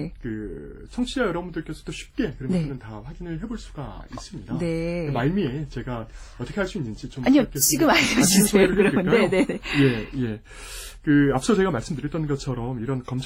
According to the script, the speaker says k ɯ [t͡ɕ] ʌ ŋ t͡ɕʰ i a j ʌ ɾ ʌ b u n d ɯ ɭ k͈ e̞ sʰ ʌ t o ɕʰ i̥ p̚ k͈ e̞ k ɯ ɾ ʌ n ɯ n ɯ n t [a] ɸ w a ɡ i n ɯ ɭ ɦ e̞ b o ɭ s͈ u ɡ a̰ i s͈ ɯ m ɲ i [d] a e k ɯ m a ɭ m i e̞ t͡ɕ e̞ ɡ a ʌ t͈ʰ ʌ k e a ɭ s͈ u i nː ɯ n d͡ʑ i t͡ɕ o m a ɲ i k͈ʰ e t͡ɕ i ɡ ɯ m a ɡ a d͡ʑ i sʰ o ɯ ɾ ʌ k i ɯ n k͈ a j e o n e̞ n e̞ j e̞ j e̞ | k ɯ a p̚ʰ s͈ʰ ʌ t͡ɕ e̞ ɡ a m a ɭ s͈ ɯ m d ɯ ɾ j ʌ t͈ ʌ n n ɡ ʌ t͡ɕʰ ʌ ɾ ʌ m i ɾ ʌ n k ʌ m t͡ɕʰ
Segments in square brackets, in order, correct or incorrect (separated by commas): incorrect, correct, correct